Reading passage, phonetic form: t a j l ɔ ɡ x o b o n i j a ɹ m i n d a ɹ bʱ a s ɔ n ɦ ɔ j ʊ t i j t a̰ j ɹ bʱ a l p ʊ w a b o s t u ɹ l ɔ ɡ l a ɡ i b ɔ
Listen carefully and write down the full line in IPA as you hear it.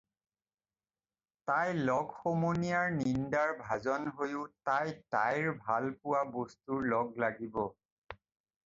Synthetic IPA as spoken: t a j l ɔ ɡ x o m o n i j a ɹ n i n d a ɹ bʱ a z ɔ n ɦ o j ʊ t a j t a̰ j ɹ bʱ a l p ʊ w a b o s t u ɹ l ɔ ɡ l a ɡ i b ɔ